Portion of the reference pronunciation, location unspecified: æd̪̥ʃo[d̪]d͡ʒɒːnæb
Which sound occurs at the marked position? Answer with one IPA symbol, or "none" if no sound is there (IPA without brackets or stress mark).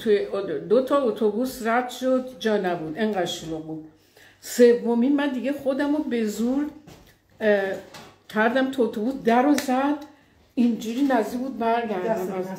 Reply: d̪